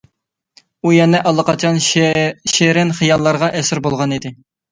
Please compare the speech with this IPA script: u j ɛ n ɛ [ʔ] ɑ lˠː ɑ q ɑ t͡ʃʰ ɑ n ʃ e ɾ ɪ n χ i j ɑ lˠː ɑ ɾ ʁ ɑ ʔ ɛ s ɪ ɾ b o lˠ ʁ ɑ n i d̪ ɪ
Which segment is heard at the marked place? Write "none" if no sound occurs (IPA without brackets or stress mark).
ʔ